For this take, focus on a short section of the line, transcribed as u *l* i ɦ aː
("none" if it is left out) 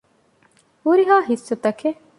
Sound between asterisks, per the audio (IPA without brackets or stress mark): ɾ